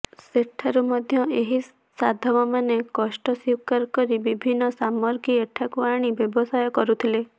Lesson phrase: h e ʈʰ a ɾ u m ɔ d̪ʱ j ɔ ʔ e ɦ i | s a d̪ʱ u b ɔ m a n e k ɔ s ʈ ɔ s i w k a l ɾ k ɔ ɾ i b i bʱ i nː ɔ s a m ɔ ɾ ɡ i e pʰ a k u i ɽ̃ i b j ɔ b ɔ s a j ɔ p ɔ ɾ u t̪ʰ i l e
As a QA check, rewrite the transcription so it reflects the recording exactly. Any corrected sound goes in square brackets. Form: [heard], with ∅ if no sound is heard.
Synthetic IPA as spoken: [s] e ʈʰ a ɾ u m ɔ d̪ʱ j ɔ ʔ e ɦ i | s a d̪ʱ [ɔ] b ɔ m a n e k ɔ s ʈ ɔ s i w k a [∅] ɾ k ɔ ɾ i b i bʱ i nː ɔ s a m ɔ ɾ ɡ i e [ʈʰ] a k u [a] ɽ̃ i b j ɔ b ɔ s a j ɔ [k] ɔ ɾ u t̪ʰ i l e